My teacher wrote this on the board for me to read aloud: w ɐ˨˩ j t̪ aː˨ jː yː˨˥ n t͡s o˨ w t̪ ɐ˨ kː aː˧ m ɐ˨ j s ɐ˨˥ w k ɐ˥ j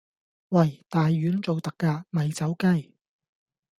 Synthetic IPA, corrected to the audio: w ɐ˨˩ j t̪ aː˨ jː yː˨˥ n t͡s o˨ w t̪ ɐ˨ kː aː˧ m ɐ˨ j t͡s ɐ˨˥ w k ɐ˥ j